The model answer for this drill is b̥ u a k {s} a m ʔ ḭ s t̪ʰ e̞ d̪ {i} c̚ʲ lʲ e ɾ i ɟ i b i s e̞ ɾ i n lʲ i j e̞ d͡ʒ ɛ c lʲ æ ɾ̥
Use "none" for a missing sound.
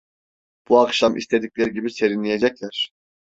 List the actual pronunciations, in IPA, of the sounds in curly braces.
ʃ, i

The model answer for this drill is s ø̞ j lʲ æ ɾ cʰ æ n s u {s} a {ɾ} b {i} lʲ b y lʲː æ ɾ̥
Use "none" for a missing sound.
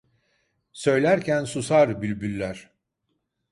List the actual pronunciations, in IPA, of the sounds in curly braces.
s, ɾ, y

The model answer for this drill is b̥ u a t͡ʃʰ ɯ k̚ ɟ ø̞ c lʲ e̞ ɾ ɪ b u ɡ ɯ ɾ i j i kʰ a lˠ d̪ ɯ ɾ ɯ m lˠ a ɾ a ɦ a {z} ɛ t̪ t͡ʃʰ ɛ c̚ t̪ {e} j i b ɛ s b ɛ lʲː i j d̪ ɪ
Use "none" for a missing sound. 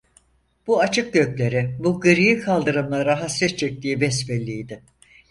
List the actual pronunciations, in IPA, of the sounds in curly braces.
s, i

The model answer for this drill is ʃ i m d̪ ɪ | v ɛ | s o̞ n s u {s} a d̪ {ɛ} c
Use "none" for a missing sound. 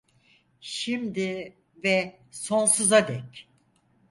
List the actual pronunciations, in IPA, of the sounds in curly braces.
z, ɛ

